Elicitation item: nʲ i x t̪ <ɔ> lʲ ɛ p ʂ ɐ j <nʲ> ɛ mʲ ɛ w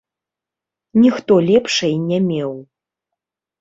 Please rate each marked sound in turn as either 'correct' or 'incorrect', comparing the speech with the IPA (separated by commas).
correct, correct